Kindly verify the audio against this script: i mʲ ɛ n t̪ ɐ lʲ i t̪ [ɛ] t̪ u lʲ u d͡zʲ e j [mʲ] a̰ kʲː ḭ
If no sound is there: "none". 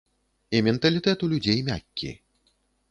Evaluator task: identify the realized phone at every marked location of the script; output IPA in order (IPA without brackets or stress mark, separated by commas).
ɛ, mʲ